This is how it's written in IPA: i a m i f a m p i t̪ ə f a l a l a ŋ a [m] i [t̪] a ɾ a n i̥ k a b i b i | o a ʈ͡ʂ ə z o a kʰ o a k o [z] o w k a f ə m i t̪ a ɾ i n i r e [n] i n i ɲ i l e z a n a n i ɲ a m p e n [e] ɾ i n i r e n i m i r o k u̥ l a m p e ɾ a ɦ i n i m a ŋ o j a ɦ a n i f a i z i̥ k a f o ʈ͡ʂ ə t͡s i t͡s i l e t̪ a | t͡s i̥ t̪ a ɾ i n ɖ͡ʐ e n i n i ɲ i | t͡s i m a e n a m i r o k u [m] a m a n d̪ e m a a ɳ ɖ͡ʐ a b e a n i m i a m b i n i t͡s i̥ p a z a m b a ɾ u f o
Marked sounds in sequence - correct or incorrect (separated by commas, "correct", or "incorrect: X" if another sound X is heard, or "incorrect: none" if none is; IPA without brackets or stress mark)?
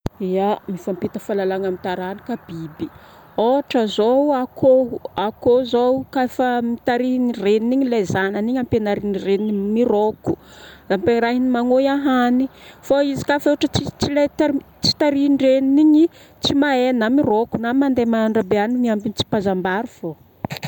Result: correct, correct, correct, correct, incorrect: a, incorrect: n